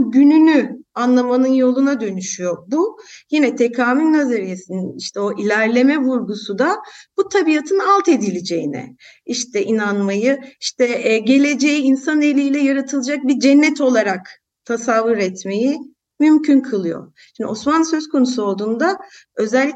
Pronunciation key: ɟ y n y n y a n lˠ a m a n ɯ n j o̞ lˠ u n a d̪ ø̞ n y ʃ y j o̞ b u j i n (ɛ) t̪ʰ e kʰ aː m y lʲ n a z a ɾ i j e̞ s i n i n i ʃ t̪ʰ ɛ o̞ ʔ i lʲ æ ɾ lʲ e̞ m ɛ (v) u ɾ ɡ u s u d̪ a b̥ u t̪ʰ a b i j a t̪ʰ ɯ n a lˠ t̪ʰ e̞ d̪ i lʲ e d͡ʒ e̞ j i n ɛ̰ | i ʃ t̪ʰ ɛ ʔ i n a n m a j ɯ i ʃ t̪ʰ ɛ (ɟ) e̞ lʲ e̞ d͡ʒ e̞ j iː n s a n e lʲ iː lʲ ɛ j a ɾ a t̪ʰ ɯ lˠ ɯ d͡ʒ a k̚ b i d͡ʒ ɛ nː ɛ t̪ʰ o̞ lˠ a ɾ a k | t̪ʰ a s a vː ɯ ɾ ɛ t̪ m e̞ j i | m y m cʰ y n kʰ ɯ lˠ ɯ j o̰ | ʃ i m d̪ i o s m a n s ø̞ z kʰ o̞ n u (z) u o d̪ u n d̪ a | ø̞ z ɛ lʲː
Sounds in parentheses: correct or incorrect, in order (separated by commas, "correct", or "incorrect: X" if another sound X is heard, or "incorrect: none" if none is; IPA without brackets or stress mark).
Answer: correct, correct, correct, incorrect: s